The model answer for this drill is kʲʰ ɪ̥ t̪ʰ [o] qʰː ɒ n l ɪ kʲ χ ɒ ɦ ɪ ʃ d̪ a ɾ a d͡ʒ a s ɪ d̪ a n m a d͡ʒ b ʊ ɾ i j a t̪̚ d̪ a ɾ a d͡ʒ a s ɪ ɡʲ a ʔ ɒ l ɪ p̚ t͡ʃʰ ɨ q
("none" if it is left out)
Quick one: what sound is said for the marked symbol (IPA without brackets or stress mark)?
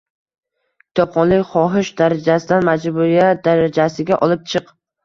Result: ɒ